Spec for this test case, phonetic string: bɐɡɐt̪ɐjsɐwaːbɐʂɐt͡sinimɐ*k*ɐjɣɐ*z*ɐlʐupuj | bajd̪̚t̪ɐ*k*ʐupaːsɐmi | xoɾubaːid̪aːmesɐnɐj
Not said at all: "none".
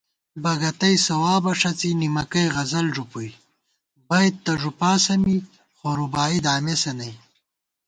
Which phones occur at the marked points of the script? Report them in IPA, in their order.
k, z, none

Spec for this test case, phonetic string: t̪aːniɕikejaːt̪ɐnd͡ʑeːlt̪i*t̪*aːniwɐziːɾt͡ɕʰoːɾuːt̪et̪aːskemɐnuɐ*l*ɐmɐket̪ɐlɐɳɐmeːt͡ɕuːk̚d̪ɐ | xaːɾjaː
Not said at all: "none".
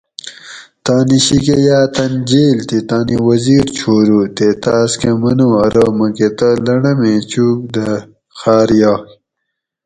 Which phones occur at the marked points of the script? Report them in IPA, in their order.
t̪, ɾ

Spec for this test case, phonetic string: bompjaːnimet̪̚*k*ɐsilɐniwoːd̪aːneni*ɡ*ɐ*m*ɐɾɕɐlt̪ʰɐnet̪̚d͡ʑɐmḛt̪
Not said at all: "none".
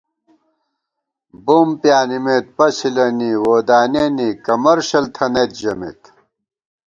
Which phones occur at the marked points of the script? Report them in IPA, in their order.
p, k, m

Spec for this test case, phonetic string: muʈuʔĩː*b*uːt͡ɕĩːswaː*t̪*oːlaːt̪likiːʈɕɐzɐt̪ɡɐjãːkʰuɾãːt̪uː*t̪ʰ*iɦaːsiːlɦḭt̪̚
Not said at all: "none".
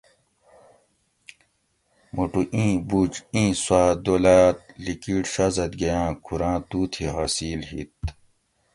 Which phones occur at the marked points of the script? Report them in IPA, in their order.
b, d̪, t̪ʰ

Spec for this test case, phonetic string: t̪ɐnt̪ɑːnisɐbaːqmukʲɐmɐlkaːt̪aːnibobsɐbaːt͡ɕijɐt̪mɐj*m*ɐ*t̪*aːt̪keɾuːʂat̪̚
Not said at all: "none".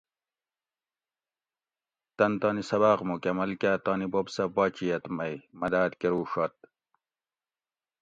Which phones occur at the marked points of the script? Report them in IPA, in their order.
m, d̪

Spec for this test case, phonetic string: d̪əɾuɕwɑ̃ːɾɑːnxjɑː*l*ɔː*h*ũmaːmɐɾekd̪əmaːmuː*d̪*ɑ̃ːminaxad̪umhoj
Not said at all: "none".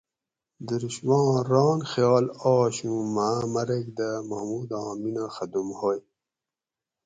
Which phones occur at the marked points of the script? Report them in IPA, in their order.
l, ɕ, d̪

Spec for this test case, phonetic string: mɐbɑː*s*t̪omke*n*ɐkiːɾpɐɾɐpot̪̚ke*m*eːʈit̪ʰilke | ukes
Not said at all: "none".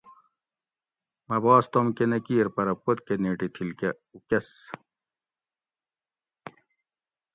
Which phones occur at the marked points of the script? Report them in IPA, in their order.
s, n, n

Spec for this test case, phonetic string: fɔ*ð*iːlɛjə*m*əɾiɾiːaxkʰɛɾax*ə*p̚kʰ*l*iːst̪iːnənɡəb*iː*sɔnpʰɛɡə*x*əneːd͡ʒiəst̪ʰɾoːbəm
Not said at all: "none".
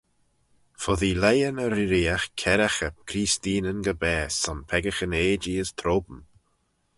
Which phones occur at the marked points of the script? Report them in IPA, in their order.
ð, n, ə, ɾ, ɛː, x

